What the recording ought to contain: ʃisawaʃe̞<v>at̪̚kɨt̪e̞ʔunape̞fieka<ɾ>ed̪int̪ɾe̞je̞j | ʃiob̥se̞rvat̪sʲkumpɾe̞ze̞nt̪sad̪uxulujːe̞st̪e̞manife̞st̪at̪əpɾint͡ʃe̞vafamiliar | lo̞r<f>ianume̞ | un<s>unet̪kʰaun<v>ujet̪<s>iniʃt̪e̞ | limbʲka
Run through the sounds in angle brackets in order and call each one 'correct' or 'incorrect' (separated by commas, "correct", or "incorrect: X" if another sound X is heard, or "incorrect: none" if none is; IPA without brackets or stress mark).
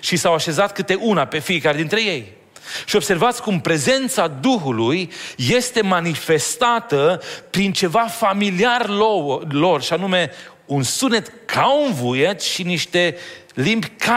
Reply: incorrect: z, correct, incorrect: ʃ, correct, correct, incorrect: ʃ